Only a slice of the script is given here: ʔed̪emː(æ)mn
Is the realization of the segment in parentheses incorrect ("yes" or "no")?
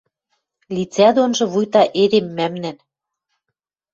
no